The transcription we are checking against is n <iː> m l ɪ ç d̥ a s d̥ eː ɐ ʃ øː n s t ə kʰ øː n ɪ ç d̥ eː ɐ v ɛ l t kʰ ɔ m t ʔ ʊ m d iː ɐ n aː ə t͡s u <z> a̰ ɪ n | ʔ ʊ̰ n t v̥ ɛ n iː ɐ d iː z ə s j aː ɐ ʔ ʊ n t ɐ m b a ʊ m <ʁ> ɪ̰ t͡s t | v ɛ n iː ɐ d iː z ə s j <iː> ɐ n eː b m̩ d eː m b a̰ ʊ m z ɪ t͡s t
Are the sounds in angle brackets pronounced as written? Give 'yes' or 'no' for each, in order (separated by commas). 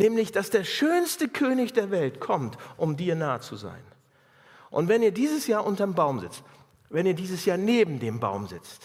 no, yes, no, no